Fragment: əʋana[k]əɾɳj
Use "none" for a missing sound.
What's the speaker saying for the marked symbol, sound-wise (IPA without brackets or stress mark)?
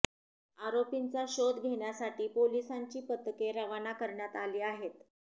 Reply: k